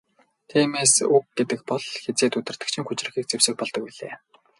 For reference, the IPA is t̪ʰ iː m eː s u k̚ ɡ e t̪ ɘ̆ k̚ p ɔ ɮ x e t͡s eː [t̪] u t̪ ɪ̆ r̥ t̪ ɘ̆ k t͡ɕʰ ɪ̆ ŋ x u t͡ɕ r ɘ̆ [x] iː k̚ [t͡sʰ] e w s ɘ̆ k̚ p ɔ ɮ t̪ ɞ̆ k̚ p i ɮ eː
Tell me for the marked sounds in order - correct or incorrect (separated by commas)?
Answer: correct, correct, incorrect